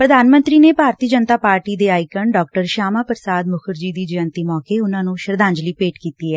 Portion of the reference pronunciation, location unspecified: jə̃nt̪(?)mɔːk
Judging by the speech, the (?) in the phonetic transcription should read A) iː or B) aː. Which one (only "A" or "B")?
A